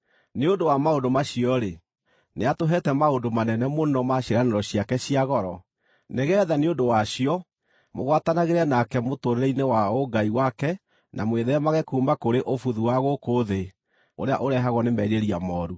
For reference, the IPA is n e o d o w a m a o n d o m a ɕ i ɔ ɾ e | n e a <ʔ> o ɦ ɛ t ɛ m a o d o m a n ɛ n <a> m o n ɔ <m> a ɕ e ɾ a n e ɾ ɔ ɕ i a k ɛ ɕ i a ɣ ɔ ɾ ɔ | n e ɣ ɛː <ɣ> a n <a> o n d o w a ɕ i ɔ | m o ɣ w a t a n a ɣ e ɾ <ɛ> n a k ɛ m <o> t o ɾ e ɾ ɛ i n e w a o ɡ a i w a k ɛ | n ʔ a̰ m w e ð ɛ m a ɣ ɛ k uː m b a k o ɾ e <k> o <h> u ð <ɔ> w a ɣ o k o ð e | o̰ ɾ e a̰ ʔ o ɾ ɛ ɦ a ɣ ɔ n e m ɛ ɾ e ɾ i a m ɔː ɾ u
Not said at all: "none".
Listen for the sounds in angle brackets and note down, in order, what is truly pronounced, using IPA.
t, ɛ, m, ð, e, ɛ, o, ʔ, f, u

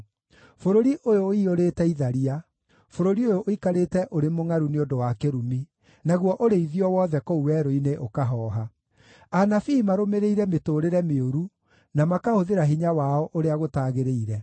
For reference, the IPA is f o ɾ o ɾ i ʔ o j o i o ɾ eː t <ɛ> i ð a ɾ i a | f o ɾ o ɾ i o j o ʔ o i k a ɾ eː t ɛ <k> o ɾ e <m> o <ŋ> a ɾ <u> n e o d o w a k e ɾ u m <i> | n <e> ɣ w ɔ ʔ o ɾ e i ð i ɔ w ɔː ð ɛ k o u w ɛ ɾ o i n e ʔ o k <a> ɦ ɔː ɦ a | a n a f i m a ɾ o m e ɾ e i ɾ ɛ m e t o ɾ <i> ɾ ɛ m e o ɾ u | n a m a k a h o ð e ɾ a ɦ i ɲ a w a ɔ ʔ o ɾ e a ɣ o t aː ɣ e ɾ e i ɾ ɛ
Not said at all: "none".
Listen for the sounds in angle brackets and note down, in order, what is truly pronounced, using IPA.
ɛ, ʔ, m, ŋ, u, i, a, a, e

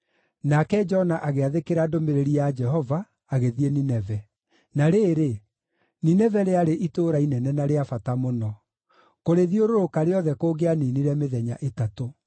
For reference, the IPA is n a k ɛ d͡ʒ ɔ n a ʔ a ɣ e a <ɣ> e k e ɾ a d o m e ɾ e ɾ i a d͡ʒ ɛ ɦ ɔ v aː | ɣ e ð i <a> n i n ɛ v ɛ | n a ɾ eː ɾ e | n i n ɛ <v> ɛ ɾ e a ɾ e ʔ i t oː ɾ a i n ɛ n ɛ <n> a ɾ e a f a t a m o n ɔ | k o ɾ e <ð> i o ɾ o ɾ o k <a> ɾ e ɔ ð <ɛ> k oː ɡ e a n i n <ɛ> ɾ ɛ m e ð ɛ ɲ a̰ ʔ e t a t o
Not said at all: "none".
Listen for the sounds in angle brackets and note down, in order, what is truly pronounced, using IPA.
ð, e, v, n, ð, a, ɛ, i

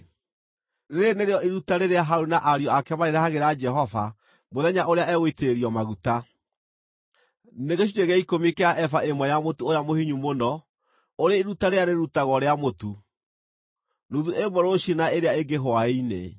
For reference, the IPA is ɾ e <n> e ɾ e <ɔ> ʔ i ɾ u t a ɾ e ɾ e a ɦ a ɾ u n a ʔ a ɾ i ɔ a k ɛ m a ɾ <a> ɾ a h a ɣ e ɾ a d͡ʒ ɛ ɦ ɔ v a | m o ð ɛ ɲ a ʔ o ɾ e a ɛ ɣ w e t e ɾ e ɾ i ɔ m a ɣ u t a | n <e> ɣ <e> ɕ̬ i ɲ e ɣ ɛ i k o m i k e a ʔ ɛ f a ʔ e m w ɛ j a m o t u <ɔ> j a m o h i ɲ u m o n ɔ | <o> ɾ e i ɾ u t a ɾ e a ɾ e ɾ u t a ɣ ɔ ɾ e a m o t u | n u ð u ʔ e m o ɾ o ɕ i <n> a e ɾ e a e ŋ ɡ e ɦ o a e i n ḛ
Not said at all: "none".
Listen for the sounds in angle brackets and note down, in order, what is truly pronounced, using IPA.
n, ɔ, e, e, e, o, o, n

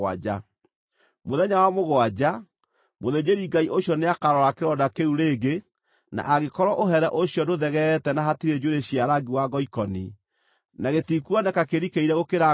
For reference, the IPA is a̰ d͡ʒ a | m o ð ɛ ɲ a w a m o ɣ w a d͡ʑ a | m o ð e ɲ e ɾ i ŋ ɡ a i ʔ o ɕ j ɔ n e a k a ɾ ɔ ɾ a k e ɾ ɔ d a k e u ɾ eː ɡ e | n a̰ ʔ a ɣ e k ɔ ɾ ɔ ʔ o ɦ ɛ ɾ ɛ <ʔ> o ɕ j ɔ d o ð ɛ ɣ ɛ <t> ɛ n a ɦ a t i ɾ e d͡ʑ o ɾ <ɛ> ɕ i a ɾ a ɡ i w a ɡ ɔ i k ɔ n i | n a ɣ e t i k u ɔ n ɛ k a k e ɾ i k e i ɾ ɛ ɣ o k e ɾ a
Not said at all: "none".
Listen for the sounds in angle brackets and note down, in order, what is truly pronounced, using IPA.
ʔ, t, e

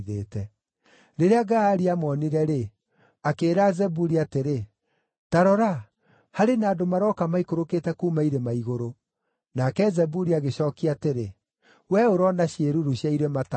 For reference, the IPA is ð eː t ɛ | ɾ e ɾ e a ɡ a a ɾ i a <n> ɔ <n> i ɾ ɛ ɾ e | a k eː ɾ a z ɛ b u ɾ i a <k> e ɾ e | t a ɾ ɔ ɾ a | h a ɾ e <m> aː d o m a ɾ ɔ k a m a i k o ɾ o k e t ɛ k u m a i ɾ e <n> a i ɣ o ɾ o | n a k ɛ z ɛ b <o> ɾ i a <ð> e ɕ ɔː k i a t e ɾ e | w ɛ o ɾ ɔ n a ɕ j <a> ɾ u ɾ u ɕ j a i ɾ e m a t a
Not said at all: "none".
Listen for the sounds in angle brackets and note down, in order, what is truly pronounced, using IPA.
m, n, t, n, m, u, ɣ, e

